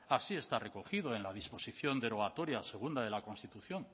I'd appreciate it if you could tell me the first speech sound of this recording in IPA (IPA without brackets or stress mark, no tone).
a